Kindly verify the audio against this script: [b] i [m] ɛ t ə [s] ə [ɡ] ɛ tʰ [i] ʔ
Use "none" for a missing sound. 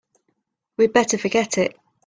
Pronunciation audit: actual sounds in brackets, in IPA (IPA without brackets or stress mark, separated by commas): w, b, f, ɡ, ɪ